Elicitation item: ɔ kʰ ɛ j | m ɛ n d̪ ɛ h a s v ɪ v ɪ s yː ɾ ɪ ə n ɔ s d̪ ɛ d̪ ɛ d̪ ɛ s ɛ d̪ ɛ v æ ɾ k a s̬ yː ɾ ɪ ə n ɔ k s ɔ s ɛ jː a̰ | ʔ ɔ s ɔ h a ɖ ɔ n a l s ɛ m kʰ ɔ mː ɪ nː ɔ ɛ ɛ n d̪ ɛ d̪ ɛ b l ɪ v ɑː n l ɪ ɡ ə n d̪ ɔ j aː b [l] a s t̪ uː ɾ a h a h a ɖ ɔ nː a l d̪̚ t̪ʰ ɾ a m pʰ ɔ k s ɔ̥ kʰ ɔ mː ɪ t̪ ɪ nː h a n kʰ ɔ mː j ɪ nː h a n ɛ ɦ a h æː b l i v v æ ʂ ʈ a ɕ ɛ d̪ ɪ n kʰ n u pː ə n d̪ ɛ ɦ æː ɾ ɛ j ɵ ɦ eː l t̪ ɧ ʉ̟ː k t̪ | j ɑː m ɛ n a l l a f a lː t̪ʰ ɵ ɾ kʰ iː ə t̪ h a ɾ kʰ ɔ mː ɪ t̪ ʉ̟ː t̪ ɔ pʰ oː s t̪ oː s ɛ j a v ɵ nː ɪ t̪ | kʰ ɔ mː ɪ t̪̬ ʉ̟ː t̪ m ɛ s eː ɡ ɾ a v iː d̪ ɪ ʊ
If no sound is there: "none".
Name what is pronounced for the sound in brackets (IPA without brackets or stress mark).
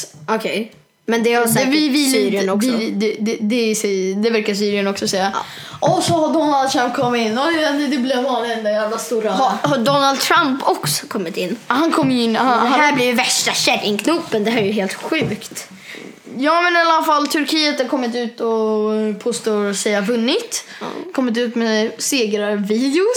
l